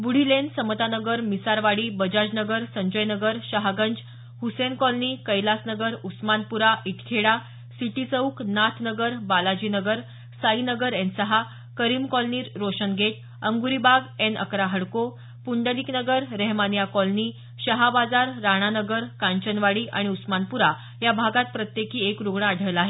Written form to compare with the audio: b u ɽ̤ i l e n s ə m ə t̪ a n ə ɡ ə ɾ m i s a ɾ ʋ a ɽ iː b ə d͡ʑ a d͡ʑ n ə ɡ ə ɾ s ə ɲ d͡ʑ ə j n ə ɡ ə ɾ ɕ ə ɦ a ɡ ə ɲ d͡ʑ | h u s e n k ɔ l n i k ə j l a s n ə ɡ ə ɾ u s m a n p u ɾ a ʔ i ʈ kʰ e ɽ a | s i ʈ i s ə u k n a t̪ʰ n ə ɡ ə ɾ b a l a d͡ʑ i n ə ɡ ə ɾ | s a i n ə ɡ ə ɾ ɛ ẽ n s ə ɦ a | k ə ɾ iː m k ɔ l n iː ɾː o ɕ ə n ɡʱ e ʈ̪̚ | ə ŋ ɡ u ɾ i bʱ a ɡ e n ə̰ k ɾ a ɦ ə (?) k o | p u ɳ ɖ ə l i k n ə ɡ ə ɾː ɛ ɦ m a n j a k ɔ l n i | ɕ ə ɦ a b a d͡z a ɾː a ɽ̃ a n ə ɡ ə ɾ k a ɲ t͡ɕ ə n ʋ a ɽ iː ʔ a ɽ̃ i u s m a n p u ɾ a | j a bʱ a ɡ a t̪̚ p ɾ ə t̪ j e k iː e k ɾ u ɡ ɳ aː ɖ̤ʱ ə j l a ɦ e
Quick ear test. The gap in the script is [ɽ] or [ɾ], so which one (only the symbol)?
ɽ